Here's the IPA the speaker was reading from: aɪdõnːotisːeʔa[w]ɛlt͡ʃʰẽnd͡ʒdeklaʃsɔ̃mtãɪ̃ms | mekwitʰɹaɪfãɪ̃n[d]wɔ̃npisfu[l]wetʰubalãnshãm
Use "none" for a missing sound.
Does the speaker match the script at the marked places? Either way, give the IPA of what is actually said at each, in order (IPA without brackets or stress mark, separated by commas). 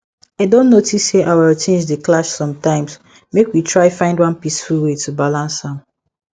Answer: w, d, l